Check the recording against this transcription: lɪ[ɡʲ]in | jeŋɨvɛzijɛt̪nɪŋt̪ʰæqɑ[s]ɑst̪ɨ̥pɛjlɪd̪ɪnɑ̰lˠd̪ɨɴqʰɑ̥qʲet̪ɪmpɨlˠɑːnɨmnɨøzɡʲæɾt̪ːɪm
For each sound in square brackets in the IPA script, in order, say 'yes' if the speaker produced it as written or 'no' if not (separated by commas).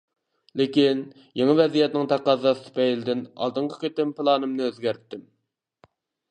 no, no